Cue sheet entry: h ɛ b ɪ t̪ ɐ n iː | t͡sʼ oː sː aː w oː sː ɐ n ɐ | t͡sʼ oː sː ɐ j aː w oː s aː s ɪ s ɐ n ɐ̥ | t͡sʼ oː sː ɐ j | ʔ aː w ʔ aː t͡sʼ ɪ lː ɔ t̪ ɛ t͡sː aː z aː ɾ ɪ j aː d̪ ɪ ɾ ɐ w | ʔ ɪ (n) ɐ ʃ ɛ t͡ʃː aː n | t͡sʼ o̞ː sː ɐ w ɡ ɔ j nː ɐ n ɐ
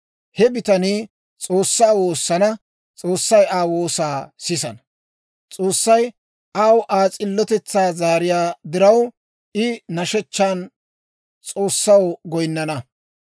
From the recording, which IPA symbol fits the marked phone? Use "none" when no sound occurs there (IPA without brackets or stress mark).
n